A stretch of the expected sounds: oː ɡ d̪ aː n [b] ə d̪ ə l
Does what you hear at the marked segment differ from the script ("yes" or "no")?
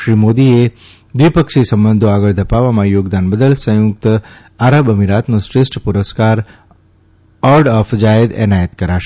no